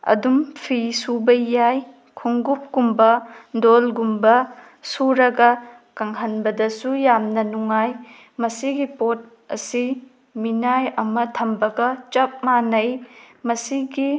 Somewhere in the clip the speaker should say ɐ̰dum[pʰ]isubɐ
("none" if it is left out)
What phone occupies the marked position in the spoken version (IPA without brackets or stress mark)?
pʰ